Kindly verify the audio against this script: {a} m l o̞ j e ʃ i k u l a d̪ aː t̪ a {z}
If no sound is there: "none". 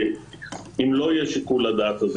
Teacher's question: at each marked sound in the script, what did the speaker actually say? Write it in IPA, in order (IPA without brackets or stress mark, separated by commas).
i, z